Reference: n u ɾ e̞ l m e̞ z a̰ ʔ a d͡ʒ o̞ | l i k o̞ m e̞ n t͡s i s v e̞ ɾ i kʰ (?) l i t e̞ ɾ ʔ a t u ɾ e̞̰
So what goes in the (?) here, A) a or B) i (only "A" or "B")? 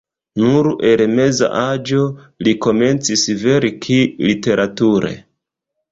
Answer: B